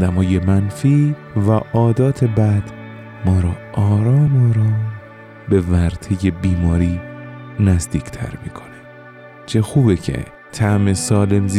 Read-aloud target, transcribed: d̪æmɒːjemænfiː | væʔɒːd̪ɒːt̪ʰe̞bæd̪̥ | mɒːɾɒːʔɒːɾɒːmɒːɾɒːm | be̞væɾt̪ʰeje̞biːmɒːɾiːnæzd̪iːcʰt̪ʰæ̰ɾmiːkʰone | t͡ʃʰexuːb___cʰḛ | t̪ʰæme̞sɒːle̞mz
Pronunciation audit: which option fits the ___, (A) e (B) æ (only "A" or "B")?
A